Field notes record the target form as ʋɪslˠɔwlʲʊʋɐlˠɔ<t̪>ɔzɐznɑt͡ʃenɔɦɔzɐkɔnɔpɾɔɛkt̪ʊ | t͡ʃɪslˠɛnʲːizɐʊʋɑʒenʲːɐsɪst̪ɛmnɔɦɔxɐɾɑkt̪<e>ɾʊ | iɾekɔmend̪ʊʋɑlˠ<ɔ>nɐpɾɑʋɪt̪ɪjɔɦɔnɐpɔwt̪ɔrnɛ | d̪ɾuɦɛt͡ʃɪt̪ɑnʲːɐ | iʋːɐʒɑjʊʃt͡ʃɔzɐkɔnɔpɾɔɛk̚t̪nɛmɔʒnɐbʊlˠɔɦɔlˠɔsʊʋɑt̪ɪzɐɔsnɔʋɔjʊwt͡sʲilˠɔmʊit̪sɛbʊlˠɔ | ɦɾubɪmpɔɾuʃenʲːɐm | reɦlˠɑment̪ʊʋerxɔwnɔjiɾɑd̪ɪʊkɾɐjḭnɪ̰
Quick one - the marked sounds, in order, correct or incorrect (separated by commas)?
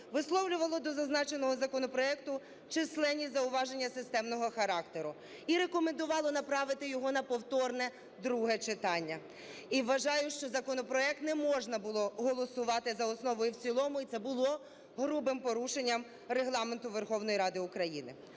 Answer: incorrect, correct, correct